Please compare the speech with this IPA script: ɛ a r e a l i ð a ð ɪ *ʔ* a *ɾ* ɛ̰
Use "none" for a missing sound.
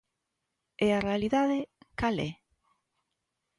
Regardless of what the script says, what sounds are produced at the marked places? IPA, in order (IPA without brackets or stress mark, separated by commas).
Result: k, l